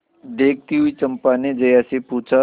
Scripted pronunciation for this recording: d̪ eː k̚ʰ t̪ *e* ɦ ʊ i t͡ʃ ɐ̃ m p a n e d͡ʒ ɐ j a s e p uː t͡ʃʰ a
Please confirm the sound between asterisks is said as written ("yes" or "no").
no